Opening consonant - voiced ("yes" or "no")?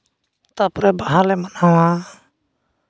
no